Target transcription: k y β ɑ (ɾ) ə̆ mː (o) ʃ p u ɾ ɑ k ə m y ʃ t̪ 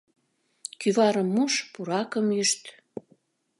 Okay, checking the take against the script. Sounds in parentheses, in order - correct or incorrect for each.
correct, incorrect

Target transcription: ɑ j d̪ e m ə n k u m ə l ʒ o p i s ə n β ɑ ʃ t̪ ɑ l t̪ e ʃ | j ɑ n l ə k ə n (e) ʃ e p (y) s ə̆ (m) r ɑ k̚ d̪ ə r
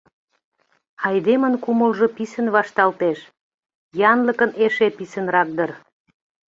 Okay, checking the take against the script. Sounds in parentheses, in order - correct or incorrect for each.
correct, incorrect, incorrect

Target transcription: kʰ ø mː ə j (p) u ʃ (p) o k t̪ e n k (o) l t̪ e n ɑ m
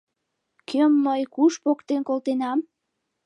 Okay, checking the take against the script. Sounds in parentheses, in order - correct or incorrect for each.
incorrect, correct, correct

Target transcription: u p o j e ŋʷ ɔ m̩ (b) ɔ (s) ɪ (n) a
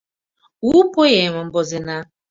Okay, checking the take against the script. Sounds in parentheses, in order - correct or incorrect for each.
correct, incorrect, correct

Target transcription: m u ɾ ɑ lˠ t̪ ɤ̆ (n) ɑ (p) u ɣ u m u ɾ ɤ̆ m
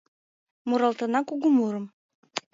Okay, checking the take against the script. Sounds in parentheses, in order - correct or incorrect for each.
correct, incorrect

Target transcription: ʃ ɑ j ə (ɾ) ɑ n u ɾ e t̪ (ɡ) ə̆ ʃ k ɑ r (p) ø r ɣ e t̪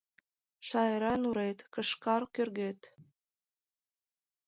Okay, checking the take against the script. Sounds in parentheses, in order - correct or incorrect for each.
correct, incorrect, incorrect

